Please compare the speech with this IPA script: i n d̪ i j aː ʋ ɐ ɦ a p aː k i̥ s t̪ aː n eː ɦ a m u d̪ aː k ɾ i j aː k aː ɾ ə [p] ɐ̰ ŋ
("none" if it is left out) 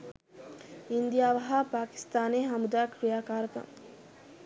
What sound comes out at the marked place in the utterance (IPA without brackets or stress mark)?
k